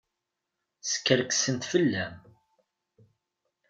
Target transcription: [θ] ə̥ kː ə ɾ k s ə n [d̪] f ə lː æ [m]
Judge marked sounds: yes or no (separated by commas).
no, no, yes